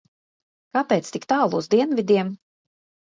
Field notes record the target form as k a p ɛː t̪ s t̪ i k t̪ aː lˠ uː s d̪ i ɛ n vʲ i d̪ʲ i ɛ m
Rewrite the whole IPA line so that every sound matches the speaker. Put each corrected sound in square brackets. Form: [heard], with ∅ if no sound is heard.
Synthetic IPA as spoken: k a p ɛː t̪ s t̪ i k t̪ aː lˠ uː [z] d̪ i ɛ n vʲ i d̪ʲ i ɛ m